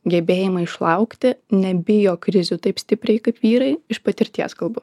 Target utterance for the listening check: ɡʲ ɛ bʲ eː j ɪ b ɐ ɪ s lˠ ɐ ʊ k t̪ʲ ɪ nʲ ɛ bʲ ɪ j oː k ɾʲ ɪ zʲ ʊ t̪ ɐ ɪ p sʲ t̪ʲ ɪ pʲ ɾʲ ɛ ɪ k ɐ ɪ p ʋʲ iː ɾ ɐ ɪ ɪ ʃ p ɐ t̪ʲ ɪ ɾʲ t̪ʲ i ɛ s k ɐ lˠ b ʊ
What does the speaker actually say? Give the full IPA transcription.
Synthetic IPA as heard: ɡʲ ɛ bʲ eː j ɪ m ɐ ɪ ʃ lˠ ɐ ʊ k t̪ʲ ɪ nʲ ɛ bʲ ɪ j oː k ɾʲ ɪ zʲ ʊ t̪ ɐ ɪ p sʲ t̪ʲ ɪ pʲ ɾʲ ɛ ɪ k ɐ ɪ p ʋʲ iː ɾ ɐ ɪ ɪ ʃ p ɐ t̪ʲ ɪ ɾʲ t̪ʲ i ɛ s k ɐ lˠ b ʊ